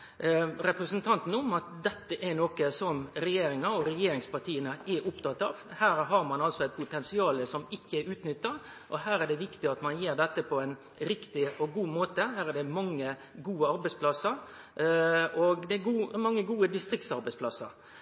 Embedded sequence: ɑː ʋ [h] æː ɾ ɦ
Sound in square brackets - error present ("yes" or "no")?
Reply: no